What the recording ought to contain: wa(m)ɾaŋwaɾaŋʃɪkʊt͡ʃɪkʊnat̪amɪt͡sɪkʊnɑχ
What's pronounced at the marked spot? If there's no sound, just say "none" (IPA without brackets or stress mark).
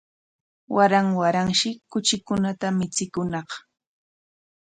none